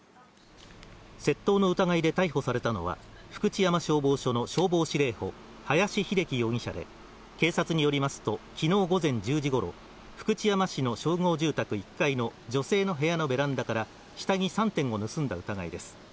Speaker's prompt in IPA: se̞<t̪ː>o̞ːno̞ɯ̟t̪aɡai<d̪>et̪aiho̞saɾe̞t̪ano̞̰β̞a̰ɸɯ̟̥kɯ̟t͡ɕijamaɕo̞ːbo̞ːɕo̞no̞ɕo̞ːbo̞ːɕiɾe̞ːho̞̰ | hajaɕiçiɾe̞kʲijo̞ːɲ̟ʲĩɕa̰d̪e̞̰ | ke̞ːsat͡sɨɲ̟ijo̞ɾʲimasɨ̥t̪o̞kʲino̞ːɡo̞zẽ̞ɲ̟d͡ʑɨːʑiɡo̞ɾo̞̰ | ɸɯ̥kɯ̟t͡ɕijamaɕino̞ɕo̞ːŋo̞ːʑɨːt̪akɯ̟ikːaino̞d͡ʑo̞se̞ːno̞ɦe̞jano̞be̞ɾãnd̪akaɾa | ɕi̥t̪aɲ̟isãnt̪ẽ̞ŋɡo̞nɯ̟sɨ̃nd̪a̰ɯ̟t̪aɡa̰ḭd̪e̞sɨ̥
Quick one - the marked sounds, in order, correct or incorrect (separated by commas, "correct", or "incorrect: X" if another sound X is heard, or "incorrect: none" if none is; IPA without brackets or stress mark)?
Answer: correct, correct